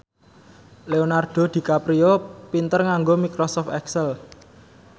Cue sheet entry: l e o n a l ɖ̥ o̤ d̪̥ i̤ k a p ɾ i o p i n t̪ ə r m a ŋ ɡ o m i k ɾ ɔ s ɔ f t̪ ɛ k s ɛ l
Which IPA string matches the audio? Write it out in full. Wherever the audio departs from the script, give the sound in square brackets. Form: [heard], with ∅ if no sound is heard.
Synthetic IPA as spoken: l e o n a [r] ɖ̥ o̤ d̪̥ i̤ k a p ɾ i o p i n t̪ ə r [ŋ] a ŋ ɡ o m i k ɾ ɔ s ɔ f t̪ ɛ k s ɛ l